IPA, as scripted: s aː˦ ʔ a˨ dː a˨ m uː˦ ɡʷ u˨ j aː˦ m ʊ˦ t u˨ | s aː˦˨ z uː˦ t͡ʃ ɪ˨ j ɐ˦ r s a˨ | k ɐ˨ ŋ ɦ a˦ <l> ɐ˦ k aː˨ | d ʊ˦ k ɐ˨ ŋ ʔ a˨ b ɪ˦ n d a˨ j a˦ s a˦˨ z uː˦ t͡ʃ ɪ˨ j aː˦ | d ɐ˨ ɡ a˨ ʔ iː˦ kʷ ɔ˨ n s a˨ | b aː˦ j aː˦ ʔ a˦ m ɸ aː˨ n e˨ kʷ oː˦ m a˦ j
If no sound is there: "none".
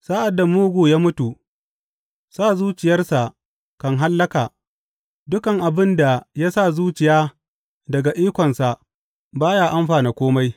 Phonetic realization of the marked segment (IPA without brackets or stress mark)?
lː